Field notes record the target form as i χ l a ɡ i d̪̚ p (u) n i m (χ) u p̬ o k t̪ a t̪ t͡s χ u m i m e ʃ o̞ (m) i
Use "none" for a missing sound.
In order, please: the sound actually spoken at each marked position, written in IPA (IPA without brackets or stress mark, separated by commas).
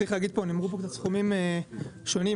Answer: o, ʁ, n